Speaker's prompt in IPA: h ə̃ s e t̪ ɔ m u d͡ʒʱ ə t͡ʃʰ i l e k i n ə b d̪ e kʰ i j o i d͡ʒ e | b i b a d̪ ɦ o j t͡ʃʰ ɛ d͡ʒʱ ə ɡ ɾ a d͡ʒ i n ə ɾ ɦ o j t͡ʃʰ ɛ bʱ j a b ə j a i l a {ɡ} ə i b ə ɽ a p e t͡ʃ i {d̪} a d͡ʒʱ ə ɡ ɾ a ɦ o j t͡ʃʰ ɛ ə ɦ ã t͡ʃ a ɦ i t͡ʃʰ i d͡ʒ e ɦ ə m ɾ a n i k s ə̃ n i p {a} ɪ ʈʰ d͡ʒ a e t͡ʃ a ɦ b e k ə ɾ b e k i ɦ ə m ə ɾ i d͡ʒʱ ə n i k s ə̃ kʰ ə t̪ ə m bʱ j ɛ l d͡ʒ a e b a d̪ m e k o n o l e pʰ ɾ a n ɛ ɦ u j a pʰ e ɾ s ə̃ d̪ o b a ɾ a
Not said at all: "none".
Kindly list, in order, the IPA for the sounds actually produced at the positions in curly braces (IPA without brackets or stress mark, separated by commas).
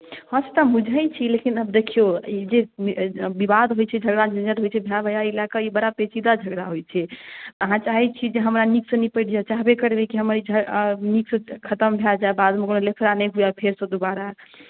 k, d̪, ə